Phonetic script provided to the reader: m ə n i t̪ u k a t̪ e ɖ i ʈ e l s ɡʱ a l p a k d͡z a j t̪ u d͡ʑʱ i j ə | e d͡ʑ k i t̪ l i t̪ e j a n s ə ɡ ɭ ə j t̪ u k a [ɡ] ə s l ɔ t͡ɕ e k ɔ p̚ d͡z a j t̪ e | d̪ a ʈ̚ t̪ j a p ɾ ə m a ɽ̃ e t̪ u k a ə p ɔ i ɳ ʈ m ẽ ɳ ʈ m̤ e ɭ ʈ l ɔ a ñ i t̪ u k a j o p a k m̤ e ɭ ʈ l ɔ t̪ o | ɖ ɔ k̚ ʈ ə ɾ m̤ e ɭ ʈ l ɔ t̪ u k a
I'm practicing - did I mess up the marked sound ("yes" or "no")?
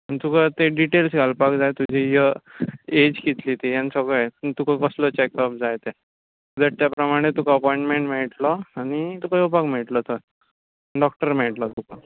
yes